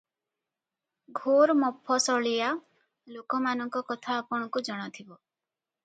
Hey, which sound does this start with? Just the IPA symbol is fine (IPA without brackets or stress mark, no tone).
ɡʱ